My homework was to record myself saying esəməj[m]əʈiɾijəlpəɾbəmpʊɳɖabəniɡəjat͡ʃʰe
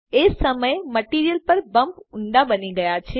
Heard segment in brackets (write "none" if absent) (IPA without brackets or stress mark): m